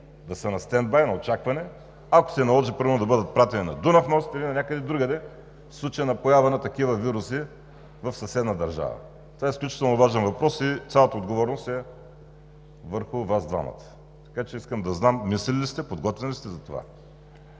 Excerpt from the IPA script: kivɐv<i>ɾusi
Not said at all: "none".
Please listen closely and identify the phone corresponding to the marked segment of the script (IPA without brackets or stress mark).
i